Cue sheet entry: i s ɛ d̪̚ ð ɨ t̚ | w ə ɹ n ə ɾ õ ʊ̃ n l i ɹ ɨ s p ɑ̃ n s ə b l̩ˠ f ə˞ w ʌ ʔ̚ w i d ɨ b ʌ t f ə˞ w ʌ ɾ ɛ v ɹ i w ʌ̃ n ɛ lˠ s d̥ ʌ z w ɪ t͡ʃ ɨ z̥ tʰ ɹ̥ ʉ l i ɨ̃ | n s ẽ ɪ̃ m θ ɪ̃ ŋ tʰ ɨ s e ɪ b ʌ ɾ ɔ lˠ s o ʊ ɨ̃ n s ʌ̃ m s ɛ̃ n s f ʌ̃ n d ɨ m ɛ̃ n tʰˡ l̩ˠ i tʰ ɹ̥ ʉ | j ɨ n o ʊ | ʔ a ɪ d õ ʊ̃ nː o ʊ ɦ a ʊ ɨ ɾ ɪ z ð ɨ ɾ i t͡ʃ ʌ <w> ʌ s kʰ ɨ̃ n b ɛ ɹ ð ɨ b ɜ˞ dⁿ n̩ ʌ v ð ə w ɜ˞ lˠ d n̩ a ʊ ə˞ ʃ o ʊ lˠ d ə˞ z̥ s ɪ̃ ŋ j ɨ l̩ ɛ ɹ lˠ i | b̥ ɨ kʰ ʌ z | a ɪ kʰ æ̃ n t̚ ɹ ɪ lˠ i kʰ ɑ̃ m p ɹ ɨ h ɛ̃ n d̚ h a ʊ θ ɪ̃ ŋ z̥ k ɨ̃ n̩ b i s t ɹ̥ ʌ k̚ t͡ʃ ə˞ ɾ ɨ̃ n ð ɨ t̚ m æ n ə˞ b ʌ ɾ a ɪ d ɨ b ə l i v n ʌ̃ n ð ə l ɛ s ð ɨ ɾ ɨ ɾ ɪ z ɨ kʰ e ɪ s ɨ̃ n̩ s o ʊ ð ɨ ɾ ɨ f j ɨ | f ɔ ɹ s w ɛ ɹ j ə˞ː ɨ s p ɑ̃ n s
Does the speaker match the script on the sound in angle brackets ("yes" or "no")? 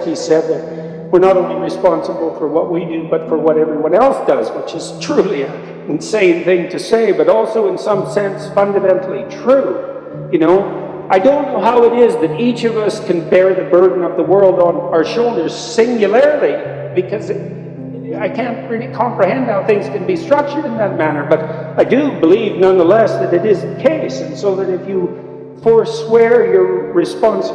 no